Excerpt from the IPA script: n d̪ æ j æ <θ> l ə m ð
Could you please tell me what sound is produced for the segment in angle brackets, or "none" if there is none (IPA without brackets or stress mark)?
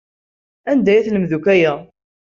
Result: θ